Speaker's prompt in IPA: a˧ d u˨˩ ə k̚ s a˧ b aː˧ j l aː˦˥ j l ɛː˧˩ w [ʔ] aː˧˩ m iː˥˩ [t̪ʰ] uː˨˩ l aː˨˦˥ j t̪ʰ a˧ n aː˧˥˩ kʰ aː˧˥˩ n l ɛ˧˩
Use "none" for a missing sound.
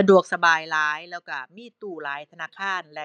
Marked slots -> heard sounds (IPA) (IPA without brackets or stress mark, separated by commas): k, t̪